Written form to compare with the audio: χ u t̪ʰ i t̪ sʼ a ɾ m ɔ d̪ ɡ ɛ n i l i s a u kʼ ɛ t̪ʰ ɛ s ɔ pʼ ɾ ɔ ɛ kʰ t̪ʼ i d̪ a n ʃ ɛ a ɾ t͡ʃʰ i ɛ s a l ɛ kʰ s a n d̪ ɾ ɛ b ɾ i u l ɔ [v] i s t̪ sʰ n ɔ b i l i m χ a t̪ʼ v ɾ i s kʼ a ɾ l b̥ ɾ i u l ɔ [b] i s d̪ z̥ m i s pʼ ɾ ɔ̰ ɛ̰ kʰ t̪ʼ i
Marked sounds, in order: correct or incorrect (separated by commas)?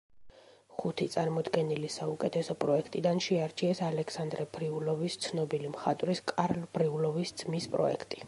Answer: correct, incorrect